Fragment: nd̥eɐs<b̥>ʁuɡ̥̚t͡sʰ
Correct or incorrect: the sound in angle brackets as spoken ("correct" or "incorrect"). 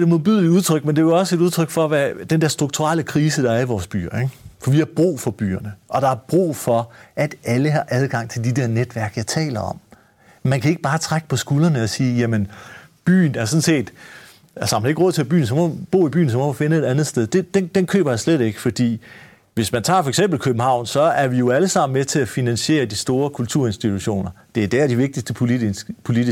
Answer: incorrect